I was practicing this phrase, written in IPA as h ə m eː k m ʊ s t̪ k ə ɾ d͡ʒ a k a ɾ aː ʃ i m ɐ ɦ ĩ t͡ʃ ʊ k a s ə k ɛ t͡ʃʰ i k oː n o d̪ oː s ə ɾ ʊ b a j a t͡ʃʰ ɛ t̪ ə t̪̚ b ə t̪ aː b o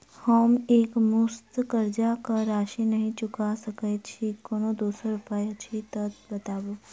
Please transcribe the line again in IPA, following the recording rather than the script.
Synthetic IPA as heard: h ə m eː k m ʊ s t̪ k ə ɾ d͡ʒ a k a ɾ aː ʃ i n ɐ ɦ ĩ t͡ʃ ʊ k a s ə k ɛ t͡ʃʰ i k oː n o d̪ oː s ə ɾ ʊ p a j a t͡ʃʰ i t̪ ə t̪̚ b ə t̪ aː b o